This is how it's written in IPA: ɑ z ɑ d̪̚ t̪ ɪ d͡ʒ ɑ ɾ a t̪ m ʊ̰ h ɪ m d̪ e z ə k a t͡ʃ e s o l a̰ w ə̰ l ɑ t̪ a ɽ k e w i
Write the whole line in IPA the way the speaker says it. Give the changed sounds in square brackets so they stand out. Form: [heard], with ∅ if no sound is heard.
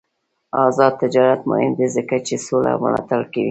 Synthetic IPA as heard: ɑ z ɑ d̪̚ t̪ ɪ d͡ʒ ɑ ɾ a t̪ m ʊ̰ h ɪ m d̪ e z ə k a t͡ʃ e s o l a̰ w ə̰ l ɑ t̪ a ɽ k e w i